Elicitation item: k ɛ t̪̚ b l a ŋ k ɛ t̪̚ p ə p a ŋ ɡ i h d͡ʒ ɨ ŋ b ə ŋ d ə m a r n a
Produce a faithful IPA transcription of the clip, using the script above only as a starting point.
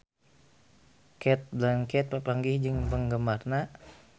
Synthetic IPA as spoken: k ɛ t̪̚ b l a ŋ k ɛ t̪̚ p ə p a ŋ ɡ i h d͡ʒ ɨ ŋ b ə ŋ ɡ ə m a r n a